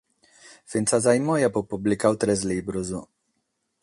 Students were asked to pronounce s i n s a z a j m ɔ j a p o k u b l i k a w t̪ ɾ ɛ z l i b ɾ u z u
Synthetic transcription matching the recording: f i n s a z a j m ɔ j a p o p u b l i k a w t̪ ɾ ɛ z l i b ɾ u z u